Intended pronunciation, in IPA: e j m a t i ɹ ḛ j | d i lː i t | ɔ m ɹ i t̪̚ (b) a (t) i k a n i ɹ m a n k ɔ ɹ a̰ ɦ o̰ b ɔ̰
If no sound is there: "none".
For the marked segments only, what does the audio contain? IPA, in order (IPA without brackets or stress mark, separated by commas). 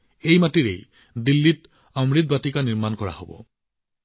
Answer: b, t